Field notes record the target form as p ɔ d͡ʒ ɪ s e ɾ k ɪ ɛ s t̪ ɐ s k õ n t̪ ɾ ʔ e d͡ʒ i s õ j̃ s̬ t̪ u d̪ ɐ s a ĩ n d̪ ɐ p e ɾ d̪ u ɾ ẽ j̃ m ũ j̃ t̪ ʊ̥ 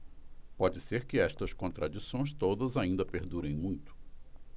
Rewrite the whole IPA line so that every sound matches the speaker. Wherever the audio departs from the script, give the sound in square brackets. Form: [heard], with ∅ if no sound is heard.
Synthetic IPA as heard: p ɔ d͡ʒ ɪ s e ɾ k ɪ ɛ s t̪ ɐ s k õ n t̪ ɾ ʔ [a] d͡ʒ i s õ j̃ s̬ t̪ [o] d̪ ɐ [z] a ĩ n d̪ ɐ p e ɾ d̪ u ɾ ẽ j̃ m ũ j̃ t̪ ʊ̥